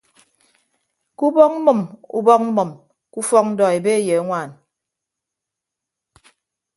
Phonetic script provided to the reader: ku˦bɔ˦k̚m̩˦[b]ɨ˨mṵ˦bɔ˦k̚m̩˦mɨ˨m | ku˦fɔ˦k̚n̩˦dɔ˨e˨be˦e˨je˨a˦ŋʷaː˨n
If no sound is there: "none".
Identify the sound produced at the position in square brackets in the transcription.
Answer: m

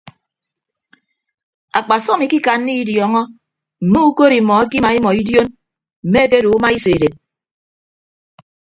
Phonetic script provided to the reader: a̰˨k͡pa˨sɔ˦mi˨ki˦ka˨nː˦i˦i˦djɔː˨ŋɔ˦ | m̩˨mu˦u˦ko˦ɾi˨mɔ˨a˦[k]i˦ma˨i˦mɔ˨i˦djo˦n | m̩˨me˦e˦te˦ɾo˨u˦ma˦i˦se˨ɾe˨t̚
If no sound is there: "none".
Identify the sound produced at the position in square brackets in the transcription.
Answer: k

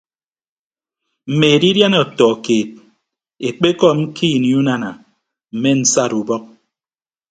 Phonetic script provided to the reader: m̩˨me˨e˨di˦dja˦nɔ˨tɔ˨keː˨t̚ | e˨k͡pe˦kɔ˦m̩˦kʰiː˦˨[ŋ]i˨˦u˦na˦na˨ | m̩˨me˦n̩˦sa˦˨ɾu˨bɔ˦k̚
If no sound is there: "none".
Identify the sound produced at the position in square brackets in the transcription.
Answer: n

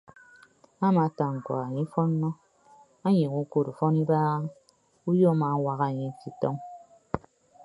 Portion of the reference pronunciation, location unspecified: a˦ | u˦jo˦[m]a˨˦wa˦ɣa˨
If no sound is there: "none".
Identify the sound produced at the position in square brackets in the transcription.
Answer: m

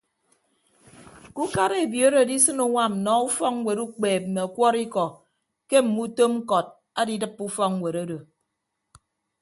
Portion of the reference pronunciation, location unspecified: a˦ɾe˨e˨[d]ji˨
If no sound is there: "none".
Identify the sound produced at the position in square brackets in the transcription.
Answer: b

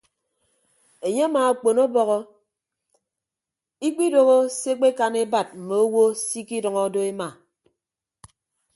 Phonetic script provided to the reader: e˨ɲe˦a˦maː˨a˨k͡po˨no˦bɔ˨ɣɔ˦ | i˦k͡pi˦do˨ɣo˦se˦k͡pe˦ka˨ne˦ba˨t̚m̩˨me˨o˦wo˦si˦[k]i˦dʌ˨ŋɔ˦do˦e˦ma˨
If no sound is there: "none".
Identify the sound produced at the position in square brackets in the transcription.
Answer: k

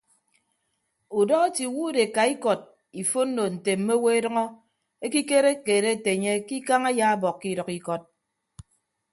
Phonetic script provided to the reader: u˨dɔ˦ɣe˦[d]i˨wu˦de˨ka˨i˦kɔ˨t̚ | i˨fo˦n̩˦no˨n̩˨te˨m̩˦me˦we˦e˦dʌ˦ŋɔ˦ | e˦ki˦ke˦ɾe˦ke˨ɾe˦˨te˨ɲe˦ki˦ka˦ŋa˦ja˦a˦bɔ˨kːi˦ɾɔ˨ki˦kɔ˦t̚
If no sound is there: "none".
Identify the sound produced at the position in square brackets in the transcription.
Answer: t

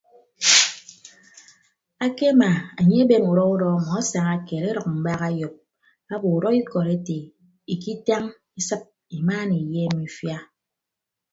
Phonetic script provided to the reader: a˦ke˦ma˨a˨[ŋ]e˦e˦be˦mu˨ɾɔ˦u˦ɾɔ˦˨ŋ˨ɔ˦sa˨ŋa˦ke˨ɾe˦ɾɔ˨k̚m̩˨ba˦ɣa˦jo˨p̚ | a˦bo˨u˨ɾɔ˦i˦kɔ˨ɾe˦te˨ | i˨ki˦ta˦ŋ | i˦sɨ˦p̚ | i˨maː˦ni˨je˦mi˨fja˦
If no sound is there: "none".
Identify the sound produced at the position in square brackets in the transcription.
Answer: ɲ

